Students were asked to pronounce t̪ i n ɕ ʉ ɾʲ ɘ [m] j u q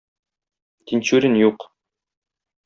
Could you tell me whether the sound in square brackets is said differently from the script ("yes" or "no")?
yes